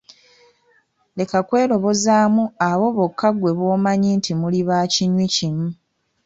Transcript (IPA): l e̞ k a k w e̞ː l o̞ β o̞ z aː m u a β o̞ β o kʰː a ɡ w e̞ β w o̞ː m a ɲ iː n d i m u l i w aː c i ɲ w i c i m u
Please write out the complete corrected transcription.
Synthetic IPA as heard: l e̞ k a k w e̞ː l o̞ β o̞ z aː m u a β o̞ β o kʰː a ɡ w e̞ β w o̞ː m a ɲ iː n t i m u l i β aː c i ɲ w i c i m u